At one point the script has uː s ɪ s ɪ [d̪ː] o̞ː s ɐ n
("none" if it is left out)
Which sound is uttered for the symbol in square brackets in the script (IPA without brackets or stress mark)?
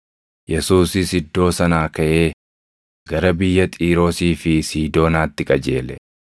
d̪ː